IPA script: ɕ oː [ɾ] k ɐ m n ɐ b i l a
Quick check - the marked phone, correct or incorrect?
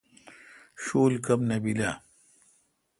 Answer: incorrect